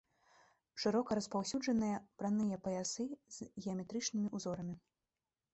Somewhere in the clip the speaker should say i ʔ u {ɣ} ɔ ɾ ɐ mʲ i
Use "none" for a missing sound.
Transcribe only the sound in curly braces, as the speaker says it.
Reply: z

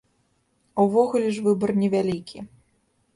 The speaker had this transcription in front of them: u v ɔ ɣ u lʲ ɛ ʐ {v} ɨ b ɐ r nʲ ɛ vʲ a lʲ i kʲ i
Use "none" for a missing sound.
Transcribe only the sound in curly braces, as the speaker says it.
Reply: v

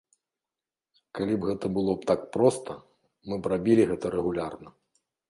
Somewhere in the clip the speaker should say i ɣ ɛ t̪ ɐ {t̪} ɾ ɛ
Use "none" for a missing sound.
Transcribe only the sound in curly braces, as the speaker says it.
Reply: none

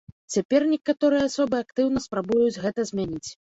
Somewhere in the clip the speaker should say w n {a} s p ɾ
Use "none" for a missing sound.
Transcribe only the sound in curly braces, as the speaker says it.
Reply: ɐ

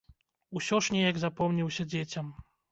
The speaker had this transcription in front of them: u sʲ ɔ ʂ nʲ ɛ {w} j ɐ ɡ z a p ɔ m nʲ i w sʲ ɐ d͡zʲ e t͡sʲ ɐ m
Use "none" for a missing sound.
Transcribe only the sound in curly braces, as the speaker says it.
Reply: none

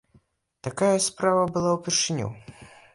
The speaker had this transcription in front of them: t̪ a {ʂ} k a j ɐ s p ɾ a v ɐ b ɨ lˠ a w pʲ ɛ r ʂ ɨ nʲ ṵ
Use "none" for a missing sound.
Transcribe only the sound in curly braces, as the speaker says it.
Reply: none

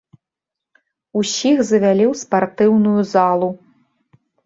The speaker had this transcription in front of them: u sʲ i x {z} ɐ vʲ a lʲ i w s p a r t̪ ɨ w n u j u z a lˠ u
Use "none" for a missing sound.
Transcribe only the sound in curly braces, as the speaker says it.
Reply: z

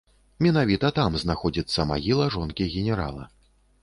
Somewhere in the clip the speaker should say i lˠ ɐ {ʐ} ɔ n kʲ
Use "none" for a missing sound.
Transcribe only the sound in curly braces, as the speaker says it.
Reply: ʐ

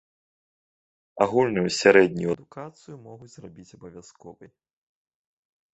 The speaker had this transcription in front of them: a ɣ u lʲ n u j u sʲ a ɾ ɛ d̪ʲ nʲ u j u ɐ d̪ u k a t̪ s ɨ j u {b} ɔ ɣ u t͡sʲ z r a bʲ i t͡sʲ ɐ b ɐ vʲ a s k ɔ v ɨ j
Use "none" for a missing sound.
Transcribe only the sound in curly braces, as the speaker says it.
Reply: m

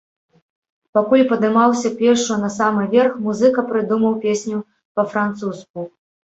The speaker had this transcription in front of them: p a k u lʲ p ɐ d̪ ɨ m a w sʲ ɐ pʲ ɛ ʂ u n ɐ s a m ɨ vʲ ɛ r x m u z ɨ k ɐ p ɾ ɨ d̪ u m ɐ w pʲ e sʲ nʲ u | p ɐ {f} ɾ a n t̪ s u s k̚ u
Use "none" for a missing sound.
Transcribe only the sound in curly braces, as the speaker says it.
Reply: f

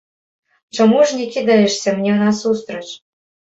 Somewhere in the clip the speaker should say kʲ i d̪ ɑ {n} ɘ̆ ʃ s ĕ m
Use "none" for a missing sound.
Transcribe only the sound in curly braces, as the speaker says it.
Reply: none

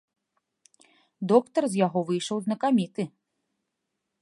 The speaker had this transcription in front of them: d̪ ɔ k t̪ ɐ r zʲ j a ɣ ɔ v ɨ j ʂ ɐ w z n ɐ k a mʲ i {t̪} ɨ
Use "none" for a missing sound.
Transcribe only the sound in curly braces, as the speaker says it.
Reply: t̪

